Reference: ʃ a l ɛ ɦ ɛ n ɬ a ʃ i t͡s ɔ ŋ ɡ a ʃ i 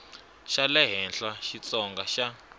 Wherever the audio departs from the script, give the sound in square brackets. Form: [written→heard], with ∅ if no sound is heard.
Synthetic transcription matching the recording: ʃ a l ɛ ɦ ɛ n ɬ a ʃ i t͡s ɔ ŋ ɡ a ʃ [i→a]